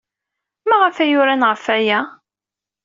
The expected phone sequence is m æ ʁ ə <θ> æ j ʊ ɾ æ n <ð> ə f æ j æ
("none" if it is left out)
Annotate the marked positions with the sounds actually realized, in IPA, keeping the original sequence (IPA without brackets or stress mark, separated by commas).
f, ʁ